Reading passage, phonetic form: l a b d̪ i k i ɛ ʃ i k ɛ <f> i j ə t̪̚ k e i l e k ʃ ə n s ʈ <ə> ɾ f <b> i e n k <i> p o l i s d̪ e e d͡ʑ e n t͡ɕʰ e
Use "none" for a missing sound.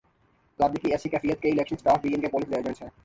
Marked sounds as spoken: f, a, b, e

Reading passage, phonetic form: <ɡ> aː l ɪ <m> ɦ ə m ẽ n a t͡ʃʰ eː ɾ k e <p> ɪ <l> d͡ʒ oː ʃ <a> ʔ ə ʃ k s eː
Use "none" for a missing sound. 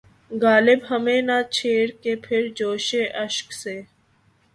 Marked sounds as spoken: ɡ, b, pʰ, ɾ, e

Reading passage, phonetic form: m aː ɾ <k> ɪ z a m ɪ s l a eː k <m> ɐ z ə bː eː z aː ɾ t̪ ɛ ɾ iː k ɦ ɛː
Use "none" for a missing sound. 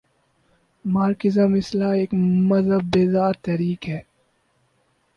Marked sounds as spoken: k, m

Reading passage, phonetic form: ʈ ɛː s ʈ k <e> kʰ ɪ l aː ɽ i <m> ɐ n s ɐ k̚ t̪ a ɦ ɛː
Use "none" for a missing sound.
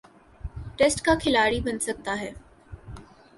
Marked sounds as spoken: a, b

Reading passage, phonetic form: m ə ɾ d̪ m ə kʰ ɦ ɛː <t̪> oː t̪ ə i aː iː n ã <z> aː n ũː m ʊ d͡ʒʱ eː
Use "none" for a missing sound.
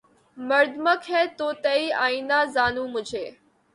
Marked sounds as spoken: t̪, z

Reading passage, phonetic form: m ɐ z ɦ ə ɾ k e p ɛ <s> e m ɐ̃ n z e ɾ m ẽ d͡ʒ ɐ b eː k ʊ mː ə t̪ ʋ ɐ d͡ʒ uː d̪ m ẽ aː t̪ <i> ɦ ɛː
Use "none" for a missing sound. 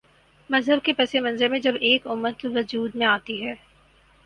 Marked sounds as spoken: s, i

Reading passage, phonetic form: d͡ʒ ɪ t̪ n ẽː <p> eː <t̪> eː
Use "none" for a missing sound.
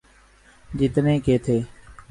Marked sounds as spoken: k, t̪ʰ

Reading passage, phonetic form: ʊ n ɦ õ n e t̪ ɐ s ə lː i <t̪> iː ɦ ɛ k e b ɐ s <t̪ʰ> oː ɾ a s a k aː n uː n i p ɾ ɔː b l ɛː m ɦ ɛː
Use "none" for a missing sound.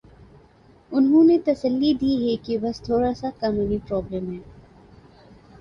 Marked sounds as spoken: d̪, t̪ʰ

